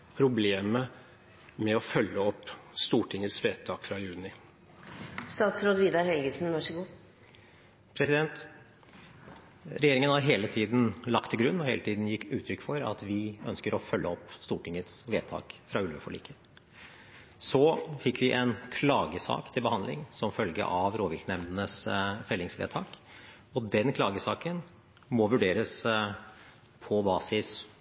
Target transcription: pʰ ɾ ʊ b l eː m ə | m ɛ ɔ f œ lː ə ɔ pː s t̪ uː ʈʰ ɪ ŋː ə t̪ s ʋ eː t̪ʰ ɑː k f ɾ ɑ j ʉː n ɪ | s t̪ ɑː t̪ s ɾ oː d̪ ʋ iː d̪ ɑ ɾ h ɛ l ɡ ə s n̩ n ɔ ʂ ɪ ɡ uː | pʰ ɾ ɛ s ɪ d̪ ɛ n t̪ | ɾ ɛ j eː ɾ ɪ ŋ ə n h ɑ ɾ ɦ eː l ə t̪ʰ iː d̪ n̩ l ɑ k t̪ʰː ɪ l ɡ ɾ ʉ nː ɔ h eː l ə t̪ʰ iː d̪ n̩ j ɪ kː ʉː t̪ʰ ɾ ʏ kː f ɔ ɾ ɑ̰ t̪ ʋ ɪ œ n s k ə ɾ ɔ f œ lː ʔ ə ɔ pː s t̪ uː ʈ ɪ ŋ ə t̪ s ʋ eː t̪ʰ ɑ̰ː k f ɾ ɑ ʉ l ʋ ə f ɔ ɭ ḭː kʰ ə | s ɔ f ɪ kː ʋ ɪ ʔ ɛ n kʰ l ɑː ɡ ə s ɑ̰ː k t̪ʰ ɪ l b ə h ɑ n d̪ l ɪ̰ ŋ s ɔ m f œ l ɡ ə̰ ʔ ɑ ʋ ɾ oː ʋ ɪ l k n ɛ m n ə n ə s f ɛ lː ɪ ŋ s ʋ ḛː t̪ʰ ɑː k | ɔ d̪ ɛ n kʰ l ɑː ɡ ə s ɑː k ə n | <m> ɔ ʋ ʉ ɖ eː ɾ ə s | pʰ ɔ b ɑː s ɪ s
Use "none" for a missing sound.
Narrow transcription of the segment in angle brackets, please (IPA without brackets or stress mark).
m